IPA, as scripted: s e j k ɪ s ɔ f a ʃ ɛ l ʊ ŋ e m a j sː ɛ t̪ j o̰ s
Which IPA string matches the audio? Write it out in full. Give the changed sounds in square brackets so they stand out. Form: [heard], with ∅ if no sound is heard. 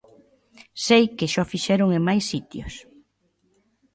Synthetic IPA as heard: s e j k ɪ [ʃ] ɔ f [i] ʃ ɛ [ɾ] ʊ ŋ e m a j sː [i] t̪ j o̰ s